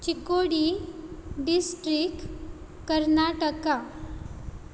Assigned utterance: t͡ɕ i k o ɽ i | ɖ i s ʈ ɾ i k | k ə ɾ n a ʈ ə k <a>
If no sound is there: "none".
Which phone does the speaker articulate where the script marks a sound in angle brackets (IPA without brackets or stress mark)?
a